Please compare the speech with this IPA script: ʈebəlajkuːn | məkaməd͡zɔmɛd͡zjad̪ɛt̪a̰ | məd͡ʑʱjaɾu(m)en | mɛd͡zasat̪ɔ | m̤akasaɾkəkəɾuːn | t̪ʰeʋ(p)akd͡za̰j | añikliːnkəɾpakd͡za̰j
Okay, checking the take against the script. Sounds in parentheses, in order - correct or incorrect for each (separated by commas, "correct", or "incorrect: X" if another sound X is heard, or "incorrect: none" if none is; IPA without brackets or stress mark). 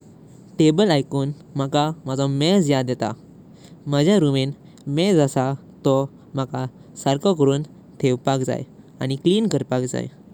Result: correct, correct